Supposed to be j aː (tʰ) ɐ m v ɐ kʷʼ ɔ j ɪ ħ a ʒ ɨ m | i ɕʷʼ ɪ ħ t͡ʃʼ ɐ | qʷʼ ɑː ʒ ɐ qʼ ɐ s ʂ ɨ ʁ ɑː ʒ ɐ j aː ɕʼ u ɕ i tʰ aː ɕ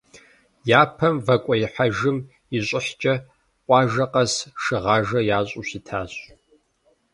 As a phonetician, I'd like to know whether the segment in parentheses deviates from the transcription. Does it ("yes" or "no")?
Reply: yes